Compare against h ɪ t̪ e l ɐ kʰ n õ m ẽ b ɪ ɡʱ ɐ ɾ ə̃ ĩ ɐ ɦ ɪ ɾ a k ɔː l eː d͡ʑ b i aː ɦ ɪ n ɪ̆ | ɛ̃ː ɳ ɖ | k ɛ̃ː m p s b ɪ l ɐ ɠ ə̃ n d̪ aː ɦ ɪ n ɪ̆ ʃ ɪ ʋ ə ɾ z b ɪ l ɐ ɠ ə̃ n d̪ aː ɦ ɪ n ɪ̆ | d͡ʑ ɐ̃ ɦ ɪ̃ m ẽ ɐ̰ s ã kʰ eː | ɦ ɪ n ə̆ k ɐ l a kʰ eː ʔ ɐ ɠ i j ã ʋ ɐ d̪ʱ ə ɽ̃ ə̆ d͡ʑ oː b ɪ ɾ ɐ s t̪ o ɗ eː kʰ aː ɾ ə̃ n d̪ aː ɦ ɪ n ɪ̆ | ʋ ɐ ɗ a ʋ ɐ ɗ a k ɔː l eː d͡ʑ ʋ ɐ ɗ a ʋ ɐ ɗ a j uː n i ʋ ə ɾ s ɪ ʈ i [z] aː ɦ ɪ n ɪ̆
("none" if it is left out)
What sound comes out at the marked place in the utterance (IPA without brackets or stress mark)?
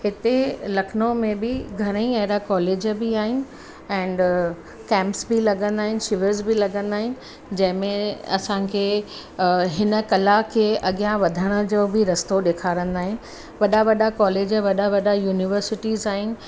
z